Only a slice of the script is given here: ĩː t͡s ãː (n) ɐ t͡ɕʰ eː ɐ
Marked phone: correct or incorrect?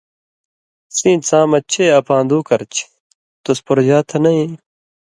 incorrect